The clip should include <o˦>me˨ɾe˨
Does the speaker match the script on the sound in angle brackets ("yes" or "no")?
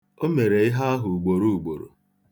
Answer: yes